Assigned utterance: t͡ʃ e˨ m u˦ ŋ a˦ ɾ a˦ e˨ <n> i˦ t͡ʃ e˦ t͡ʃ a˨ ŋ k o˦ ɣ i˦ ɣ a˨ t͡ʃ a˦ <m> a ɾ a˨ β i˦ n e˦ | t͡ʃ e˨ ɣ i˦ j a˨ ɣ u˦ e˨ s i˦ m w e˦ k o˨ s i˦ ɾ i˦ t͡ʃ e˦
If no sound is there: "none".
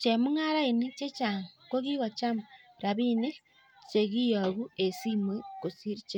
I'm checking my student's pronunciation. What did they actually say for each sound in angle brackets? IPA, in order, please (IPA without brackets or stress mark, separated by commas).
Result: n, m